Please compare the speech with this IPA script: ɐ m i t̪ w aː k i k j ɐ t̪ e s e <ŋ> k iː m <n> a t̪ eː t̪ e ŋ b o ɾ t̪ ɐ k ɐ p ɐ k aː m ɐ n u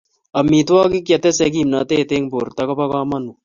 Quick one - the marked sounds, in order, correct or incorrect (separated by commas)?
incorrect, correct